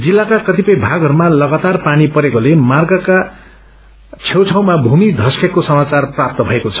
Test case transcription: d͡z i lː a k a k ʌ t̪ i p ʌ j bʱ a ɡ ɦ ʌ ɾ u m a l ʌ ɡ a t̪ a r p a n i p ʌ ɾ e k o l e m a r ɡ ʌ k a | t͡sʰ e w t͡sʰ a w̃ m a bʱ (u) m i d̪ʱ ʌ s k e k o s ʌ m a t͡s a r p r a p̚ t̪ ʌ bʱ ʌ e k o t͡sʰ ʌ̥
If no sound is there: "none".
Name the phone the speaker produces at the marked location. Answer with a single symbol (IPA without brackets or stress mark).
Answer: u